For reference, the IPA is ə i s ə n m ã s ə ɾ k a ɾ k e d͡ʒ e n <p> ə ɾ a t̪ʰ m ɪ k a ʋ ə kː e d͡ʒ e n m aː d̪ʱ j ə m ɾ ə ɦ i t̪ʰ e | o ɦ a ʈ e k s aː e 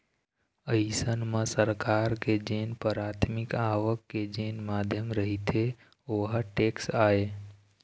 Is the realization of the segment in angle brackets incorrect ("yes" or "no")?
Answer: no